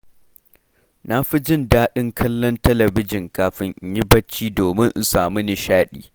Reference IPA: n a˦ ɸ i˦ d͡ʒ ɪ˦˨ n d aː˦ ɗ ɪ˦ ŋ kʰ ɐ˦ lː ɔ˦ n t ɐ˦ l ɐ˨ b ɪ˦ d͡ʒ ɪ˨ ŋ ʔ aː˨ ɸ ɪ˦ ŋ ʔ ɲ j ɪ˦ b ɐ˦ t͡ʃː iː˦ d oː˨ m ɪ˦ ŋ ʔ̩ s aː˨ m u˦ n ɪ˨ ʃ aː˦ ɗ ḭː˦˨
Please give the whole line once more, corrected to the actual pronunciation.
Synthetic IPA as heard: n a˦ ɸ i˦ d͡ʒ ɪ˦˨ n d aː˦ ɗ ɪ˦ ŋ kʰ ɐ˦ lː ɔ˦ n t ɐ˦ l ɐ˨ b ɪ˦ d͡ʒ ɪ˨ ŋ k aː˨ ɸ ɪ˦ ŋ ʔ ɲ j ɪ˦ b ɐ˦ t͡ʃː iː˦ d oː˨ m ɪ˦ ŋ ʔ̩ s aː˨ m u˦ n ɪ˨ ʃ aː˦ ɗ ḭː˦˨